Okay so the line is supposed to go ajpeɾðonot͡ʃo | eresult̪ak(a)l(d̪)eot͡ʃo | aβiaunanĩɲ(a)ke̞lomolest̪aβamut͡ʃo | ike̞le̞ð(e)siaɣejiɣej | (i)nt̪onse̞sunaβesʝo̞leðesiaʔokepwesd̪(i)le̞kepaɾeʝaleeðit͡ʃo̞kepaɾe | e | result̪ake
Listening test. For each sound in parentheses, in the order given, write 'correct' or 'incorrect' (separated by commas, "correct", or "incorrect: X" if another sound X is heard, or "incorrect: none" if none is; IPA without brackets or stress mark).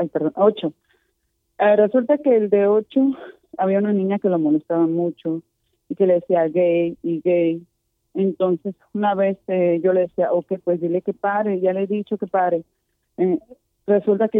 incorrect: e, correct, correct, correct, incorrect: e, correct